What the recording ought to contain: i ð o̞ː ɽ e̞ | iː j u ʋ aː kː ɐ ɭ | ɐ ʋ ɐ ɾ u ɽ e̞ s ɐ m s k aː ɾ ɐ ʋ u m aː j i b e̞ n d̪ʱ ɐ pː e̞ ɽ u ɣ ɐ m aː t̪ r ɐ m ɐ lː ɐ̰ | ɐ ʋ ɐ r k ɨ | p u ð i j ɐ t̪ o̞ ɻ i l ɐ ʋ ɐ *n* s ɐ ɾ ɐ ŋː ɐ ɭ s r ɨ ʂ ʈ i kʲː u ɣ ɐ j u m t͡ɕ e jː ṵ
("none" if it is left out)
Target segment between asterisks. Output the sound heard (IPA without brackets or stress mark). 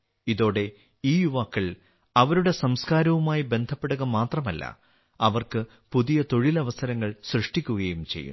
none